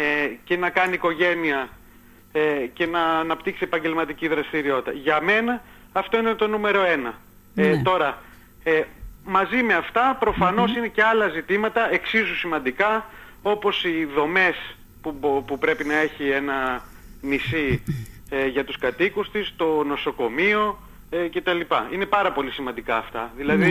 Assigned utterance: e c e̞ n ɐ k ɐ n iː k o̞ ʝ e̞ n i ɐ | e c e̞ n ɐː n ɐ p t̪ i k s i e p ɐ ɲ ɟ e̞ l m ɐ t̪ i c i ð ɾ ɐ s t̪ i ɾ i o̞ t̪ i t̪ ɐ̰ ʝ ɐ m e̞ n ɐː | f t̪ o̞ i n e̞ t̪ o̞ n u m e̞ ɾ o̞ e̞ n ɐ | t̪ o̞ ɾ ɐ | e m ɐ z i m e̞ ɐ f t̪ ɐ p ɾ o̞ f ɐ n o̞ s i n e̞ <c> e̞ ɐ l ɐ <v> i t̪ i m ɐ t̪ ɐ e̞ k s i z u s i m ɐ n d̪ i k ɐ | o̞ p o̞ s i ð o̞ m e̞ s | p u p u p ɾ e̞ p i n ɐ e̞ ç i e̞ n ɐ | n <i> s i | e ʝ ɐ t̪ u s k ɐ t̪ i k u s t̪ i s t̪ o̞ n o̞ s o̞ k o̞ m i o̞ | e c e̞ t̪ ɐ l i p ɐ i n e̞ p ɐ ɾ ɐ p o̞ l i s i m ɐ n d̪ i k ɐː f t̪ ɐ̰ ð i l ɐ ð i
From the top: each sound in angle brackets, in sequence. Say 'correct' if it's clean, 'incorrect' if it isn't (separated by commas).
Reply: correct, incorrect, correct